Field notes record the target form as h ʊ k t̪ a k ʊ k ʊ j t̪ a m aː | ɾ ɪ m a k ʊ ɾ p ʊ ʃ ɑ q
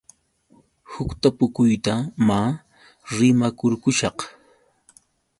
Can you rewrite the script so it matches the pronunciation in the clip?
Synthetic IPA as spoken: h ʊ k t̪ a p ʊ k ʊ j t̪ a m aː | ɾ ɪ m a k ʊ ɾ k ʊ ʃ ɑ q